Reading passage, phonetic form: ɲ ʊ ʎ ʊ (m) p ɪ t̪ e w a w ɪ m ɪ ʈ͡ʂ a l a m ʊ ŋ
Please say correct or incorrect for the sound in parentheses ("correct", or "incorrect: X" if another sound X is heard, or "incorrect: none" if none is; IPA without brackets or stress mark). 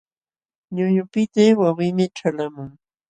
incorrect: none